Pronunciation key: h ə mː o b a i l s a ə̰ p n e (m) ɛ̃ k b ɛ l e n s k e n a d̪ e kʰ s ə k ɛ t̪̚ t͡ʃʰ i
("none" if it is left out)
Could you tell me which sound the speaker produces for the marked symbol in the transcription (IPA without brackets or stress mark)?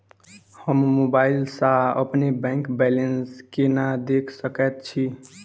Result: b